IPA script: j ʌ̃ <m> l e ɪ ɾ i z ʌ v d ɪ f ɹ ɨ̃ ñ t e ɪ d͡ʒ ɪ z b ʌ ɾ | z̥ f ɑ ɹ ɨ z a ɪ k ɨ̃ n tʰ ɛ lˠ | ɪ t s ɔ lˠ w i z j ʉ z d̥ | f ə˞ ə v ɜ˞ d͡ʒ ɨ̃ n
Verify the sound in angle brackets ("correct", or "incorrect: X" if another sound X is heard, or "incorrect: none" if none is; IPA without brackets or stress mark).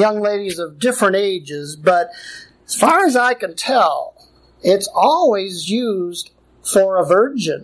incorrect: ŋ